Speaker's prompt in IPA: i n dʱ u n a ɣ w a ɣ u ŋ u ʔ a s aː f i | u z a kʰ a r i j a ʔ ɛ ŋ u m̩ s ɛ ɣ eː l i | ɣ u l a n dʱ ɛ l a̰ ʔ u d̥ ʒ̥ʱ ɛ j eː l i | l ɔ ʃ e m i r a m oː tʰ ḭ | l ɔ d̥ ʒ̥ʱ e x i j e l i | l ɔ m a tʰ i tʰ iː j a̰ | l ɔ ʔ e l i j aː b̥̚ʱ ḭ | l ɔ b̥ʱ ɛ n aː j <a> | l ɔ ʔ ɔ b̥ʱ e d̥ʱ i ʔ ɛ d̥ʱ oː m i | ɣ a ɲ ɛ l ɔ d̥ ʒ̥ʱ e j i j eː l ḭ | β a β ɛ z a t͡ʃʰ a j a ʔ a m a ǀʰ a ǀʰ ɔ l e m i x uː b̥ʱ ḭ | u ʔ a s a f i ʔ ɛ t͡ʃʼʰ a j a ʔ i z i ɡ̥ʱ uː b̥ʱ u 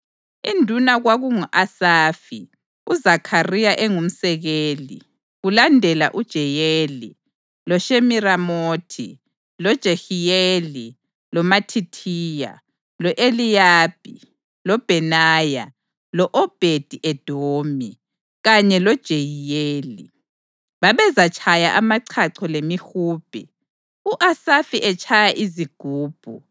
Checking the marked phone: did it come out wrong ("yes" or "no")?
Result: no